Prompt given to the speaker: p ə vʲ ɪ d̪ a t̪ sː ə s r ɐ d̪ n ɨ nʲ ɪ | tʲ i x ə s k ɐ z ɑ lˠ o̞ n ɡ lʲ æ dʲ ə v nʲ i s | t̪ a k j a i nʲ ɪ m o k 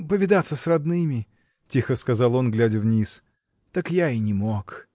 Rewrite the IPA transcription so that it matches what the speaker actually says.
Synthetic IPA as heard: p ə vʲ ɪ d̪ a t̪ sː ə s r ɐ d̪ n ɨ mʲ ɪ | tʲ i x ə s k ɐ z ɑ lˠ o̞ n ɡ lʲ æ dʲ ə v nʲ i s | t̪ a k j a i nʲ ɪ m o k